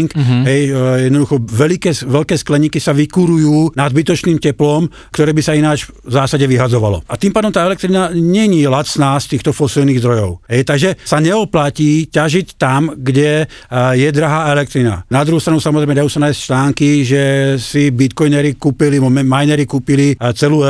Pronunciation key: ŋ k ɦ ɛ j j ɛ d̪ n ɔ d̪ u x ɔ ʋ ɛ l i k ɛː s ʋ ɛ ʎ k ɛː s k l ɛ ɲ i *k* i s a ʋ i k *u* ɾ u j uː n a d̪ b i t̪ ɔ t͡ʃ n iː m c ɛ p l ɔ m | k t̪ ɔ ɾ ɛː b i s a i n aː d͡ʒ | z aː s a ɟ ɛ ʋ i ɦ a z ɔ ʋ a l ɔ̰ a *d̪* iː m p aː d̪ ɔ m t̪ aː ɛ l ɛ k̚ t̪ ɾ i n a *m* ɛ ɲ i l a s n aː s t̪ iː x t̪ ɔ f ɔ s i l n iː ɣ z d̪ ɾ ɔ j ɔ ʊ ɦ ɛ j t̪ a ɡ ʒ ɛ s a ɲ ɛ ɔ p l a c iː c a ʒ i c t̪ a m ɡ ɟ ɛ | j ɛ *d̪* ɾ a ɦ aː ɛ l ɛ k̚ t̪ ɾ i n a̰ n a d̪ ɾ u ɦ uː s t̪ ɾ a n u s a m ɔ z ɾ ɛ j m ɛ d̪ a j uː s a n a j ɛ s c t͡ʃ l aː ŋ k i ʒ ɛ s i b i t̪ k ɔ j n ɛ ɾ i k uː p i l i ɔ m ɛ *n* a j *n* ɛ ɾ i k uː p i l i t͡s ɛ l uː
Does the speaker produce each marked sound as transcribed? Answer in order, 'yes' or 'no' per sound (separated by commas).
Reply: yes, yes, no, no, yes, no, yes